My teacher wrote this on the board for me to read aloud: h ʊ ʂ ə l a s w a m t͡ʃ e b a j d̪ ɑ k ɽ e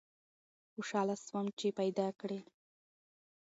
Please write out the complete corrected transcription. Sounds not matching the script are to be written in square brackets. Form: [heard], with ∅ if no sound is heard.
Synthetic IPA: [x] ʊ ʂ [ɑ] l a s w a m t͡ʃ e [p] a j d̪ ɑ k ɽ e